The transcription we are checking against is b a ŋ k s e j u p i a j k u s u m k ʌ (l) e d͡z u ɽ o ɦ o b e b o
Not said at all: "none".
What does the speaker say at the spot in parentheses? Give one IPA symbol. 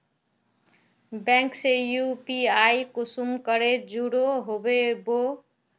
ɾ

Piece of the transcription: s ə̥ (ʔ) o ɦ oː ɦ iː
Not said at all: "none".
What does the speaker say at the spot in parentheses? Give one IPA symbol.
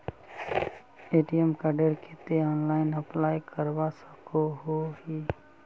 k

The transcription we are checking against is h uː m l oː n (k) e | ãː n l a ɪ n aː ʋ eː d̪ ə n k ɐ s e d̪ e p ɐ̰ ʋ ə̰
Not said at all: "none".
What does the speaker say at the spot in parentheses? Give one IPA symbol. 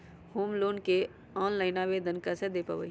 k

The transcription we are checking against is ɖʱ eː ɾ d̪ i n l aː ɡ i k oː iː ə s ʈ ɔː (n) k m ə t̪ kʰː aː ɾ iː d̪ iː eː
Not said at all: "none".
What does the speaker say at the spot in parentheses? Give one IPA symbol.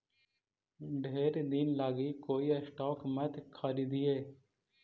none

